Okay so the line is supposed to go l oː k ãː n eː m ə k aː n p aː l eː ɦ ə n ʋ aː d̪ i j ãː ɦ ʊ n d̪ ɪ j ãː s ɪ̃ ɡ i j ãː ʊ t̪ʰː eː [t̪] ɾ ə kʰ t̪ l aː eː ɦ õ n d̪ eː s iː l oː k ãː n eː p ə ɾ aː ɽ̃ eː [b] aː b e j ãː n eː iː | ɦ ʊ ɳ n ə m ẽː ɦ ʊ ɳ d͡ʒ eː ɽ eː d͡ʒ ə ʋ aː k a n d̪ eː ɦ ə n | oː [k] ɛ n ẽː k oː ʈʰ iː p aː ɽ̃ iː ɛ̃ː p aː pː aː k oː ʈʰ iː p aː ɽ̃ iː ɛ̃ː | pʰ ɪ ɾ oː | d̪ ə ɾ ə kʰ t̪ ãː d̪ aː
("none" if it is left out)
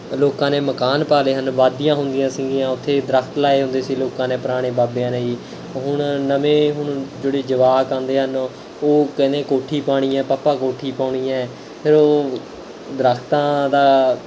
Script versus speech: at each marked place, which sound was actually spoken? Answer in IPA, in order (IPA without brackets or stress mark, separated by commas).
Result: d̪, b, k